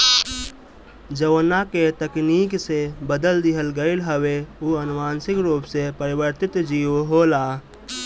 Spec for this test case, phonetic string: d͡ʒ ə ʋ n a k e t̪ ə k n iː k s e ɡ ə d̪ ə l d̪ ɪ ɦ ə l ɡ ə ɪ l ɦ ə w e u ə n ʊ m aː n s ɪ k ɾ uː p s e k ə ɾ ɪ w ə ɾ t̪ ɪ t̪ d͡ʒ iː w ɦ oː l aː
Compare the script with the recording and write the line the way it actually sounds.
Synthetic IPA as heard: d͡ʒ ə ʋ n a k e t̪ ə k n iː k s e b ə d̪ ə l d̪ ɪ ɦ ə l ɡ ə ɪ l ɦ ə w e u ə n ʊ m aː n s ɪ k ɾ uː p s e p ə ɾ ɪ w ə ɾ t̪ ɪ t̪ d͡ʒ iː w ɦ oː l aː